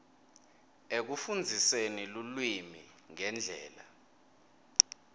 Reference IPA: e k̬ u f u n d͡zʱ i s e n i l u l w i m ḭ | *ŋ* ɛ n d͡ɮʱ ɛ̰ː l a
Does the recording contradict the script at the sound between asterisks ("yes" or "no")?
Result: no